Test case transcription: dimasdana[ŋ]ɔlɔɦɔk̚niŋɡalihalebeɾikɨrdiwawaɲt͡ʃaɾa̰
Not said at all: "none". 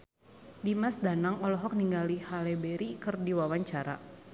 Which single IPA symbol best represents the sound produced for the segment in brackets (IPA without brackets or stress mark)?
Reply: ŋ